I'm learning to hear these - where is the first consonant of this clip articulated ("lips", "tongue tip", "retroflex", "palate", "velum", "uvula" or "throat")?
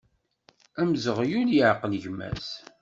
lips